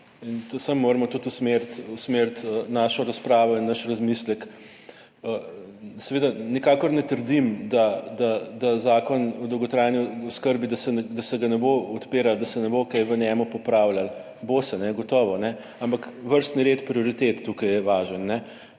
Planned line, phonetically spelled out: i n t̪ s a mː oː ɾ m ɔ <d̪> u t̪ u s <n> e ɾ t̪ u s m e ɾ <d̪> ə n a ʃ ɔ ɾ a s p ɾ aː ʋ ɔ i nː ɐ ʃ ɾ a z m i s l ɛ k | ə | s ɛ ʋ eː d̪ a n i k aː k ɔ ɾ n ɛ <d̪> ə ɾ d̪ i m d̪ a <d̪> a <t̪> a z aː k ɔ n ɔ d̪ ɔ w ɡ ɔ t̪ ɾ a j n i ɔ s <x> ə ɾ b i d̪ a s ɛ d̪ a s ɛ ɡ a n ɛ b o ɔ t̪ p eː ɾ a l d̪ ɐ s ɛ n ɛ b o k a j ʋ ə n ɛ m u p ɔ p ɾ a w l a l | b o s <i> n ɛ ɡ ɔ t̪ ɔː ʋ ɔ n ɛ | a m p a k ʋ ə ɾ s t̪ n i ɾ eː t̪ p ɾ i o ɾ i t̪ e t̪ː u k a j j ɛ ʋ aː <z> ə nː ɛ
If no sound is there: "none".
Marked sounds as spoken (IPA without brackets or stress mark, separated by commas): t̪, m, t̪, t̪, d̪, d̪, k, ɛ, ʒ